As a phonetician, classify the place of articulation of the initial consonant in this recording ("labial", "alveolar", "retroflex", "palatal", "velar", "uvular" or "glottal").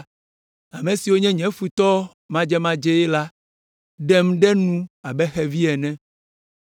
labial